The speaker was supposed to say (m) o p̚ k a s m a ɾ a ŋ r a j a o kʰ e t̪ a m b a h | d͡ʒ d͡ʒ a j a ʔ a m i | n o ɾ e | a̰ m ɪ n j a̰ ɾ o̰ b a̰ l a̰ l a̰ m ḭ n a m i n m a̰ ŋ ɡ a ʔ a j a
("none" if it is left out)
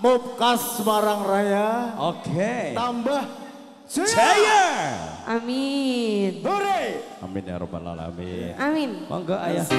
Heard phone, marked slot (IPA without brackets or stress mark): m